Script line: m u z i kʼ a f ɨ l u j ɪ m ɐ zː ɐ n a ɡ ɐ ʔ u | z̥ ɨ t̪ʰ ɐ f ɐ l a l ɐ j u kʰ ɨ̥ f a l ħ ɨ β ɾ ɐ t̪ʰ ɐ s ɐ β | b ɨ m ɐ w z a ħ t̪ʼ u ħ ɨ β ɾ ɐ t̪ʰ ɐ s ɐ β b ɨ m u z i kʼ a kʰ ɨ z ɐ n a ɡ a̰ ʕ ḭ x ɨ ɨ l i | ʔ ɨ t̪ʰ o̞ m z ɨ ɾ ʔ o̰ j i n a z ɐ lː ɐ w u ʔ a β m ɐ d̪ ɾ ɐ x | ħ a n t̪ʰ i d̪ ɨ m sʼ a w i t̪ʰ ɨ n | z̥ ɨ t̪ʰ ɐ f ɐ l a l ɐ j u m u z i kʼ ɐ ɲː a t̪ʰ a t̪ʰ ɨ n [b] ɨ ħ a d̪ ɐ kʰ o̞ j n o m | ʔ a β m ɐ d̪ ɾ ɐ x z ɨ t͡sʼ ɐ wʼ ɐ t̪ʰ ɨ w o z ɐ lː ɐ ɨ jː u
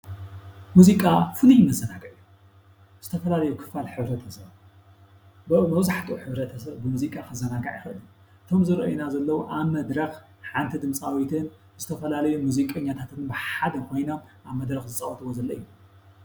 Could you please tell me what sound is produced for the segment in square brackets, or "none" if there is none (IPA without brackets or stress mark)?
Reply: b